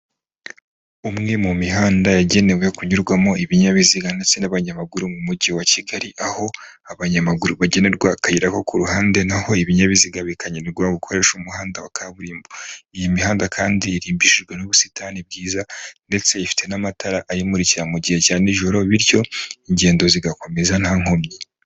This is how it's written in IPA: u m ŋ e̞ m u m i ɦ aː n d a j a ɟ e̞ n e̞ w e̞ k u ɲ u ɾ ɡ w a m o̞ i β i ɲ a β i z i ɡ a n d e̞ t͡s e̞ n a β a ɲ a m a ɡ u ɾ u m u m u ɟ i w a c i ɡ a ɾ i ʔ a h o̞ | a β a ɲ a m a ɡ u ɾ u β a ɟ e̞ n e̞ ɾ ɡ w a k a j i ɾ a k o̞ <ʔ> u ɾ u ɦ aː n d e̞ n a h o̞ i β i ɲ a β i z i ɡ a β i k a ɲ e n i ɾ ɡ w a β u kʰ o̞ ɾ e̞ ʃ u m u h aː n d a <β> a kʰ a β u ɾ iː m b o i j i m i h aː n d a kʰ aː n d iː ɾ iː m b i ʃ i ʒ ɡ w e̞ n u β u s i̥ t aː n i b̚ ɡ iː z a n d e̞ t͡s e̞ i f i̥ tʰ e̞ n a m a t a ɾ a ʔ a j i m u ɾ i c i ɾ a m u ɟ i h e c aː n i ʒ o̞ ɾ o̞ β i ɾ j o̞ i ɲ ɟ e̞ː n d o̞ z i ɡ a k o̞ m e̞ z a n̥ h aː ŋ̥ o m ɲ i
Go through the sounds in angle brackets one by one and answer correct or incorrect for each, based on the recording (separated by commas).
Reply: incorrect, incorrect